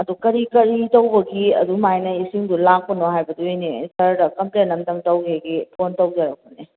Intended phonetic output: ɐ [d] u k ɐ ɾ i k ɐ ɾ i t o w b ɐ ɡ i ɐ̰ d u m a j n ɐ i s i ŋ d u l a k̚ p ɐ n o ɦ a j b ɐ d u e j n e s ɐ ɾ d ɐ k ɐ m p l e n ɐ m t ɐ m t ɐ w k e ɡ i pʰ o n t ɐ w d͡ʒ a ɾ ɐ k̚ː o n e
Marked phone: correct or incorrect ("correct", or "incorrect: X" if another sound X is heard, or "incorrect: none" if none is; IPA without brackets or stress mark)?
correct